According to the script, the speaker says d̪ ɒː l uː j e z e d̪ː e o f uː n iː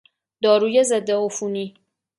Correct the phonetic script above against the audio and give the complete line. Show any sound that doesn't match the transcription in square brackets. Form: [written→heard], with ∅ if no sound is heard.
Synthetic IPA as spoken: d̪ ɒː [l→ɾ] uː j e z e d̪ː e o f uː n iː

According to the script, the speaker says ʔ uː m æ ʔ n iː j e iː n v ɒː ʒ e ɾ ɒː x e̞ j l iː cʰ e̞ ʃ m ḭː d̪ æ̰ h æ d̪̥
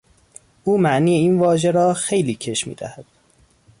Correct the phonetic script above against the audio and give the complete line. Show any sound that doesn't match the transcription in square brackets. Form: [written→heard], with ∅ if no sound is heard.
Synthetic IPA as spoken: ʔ uː m æ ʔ n iː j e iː n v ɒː ʒ e ɾ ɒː x e̞ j l iː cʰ e̞ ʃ m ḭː d̪ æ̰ h æ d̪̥

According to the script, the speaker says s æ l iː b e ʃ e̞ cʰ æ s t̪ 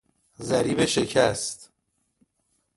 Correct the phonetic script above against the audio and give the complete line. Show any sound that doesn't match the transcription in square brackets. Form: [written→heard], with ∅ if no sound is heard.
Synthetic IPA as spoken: [s→z] æ [l→ɾ] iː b e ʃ e̞ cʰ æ s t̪

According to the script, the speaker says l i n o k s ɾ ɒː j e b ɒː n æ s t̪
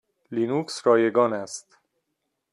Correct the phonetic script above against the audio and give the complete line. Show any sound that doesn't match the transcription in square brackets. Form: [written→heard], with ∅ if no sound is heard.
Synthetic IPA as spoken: l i n [o→u] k s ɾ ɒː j e [b→ɡ] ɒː n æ s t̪

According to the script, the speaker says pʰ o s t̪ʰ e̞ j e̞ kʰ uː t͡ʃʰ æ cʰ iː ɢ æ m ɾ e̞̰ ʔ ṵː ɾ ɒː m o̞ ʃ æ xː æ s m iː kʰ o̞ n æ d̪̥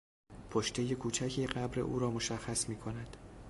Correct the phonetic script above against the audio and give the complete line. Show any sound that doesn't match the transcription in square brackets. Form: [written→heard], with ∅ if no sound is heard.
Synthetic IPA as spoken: pʰ o [s→ʃ] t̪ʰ e̞ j e̞ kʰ uː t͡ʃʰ æ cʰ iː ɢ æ [m→b] ɾ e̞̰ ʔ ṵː ɾ ɒː m o̞ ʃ æ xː æ s m iː kʰ o̞ n æ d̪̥

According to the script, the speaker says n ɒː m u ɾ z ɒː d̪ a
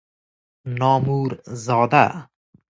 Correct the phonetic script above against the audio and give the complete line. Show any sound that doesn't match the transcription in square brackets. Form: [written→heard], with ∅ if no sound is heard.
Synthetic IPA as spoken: n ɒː m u ɾ z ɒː d̪ a

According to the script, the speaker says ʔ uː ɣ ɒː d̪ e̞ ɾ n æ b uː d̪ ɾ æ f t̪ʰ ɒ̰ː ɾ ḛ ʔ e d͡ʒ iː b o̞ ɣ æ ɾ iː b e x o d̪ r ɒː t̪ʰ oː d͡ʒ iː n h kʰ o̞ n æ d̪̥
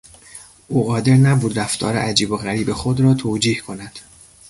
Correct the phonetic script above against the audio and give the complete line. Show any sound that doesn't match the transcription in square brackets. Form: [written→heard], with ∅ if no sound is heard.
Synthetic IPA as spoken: ʔ uː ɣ ɒː d̪ e̞ ɾ n æ b uː d̪ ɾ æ f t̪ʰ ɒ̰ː ɾ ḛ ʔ [e→æ] d͡ʒ iː b o̞ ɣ æ ɾ iː b e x o d̪ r ɒː t̪ʰ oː d͡ʒ iː [n→∅] h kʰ o̞ n æ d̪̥

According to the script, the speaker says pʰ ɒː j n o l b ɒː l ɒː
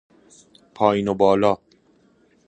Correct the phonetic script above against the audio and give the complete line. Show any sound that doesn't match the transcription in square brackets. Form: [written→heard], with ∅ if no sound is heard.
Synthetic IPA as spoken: pʰ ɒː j n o [l→∅] b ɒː l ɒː

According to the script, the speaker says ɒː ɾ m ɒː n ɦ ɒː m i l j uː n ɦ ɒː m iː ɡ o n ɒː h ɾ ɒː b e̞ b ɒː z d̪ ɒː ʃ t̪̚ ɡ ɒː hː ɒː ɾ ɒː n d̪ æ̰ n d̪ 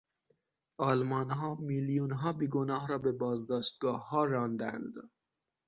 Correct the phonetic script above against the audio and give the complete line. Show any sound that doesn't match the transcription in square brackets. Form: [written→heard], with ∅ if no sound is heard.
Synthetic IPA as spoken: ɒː [ɾ→l] m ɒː n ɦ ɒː m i l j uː n ɦ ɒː [m→b] iː ɡ o n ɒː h ɾ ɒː b e̞ b ɒː z d̪ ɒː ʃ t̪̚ ɡ ɒː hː ɒː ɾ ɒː n d̪ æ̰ n d̪

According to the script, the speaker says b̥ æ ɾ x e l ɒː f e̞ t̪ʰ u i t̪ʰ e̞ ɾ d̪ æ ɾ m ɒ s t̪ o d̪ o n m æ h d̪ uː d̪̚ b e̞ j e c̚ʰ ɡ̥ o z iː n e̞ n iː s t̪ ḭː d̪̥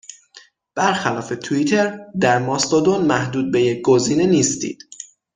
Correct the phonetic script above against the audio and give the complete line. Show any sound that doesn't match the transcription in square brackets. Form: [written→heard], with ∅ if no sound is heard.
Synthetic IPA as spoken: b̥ æ ɾ x [e→æ] l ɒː f e̞ t̪ʰ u i t̪ʰ e̞ ɾ d̪ æ ɾ m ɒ s t̪ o d̪ o n m æ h d̪ uː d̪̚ b e̞ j e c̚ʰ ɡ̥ o z iː n e̞ n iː s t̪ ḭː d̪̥

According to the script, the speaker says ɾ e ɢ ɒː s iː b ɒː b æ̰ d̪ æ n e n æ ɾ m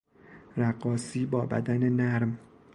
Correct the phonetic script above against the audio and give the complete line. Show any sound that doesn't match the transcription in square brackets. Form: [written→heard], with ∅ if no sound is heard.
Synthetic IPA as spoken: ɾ [e→æ] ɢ ɒː s iː b ɒː b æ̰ d̪ æ n e n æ ɾ m

